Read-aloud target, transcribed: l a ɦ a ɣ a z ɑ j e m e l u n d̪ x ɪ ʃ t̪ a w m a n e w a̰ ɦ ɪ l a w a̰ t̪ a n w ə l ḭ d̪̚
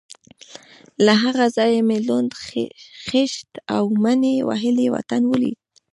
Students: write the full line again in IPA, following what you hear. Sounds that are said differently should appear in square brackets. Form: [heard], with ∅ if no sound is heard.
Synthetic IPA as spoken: l a ɦ a ɣ a z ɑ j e m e l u n d̪ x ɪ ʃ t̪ a w m a n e w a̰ ɦ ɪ l [e] w a̰ t̪ a n w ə l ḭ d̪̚